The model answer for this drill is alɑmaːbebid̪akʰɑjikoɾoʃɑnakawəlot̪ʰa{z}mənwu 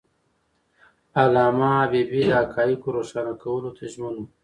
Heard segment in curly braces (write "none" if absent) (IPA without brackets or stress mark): ʒ